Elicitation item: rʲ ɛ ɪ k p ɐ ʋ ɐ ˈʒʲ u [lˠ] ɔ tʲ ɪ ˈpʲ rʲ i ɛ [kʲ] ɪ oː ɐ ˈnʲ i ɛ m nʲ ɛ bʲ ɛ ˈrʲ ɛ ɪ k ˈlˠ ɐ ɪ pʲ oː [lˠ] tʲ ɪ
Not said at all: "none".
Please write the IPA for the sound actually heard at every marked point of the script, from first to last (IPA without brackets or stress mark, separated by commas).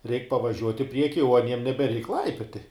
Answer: none, kʲ, none